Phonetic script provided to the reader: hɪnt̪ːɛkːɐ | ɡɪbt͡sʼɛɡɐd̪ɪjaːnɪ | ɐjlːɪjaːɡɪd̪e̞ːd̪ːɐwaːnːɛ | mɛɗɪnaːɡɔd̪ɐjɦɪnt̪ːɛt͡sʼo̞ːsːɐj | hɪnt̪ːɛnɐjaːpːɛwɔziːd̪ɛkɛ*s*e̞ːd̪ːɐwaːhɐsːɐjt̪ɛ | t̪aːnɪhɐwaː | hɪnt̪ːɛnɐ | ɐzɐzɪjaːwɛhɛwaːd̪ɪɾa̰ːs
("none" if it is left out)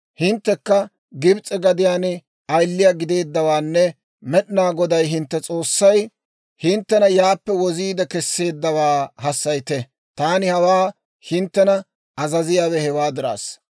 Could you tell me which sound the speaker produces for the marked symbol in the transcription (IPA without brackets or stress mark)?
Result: sː